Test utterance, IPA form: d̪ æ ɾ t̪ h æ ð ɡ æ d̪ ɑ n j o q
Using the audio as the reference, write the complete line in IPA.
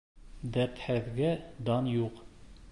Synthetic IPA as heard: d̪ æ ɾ t̪ h æ ð ɡ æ d̪ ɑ n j u q